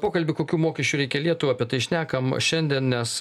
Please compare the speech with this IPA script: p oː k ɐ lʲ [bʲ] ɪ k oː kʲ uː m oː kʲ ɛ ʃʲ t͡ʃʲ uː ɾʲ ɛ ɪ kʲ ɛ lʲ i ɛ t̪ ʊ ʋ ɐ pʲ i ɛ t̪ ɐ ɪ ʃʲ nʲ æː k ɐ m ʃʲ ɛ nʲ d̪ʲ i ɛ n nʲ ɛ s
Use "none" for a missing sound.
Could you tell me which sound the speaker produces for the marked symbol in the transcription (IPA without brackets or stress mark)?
bʲ